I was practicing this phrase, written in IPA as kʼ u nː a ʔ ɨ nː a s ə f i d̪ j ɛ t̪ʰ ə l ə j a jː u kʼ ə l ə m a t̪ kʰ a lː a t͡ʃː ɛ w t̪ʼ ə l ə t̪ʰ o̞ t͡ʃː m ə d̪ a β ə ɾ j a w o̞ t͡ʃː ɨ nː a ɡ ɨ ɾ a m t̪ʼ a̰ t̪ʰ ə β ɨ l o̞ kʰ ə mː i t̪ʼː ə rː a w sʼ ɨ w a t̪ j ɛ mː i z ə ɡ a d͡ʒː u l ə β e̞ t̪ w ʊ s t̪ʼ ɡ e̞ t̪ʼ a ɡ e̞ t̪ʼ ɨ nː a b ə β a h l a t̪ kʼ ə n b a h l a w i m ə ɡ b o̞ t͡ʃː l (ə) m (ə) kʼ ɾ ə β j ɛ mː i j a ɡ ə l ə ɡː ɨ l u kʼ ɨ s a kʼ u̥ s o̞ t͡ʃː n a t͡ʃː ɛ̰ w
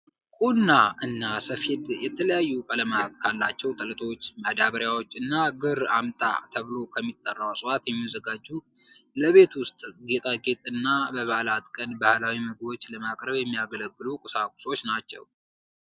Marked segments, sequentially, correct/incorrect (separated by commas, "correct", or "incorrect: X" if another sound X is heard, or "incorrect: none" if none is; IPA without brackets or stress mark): correct, incorrect: a